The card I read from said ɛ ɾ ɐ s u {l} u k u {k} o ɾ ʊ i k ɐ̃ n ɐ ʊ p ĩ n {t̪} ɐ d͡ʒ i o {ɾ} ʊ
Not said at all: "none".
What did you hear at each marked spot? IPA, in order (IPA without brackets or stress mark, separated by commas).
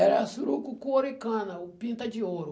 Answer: ɾ, k, t̪, ɾ